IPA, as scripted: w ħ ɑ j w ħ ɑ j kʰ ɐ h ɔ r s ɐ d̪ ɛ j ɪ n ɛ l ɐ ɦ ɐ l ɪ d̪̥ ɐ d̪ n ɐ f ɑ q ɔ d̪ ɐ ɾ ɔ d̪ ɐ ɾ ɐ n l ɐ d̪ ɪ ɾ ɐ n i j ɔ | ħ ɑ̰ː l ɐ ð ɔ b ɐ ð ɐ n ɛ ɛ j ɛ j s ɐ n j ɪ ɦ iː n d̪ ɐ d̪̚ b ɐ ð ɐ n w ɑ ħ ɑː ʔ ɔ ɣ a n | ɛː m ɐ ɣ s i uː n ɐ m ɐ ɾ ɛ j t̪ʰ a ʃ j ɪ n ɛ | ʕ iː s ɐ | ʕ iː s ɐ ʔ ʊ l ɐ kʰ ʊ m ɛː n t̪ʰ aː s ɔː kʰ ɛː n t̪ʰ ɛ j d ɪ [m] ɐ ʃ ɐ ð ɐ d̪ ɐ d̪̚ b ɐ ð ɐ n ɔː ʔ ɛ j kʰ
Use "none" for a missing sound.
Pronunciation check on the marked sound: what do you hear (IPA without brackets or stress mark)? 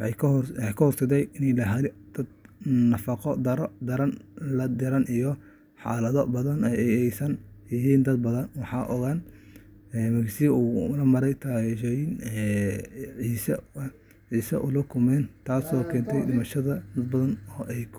m